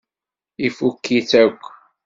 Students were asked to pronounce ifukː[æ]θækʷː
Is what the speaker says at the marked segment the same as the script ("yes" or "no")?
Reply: no